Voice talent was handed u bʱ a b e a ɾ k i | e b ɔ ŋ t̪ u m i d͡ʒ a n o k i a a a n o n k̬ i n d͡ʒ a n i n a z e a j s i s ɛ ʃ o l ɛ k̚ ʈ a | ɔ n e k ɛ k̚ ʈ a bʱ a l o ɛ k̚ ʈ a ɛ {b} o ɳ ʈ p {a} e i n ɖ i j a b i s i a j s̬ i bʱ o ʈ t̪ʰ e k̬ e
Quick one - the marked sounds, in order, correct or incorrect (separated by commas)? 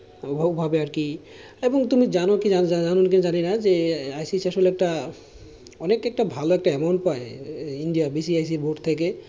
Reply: incorrect, correct